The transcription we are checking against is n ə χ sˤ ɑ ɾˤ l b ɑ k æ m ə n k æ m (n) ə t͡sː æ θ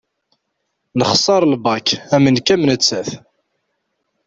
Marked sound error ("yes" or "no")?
no